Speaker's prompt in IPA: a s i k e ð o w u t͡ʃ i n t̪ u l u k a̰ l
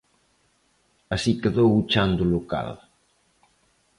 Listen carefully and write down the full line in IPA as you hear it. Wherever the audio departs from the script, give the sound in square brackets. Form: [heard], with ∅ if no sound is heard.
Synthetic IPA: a s i k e ð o w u t͡ʃ [a] n [d̪] u l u k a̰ l